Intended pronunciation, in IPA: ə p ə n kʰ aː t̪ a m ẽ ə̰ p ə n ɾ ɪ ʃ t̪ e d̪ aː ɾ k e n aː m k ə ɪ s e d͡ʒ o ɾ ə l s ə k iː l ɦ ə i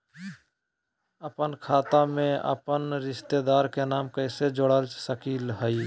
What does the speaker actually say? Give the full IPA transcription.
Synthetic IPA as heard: ə p ə n kʰ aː t̪ a m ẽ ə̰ p ə n ɾ ɪ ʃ t̪ e d̪ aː ɾ k e n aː m k ə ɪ s e d͡ʒ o ɽ ə l s ə k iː l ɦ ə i